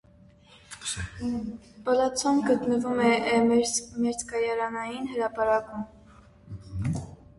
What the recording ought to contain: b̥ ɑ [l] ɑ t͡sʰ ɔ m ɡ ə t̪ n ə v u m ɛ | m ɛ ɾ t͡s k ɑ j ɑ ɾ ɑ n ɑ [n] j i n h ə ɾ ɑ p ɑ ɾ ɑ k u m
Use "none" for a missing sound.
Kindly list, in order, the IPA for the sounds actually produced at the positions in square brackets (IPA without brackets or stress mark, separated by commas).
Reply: l, none